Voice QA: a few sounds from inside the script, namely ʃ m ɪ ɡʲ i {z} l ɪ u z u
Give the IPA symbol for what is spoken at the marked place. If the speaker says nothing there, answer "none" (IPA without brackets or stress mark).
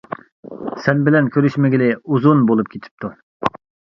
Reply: none